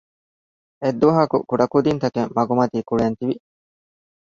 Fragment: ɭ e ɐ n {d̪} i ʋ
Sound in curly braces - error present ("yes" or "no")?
yes